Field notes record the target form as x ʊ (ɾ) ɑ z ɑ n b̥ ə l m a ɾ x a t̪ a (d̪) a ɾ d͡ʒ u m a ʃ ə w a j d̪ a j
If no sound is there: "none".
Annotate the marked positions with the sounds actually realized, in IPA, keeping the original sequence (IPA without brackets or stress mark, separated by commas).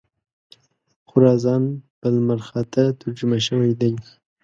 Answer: ɾ, t̪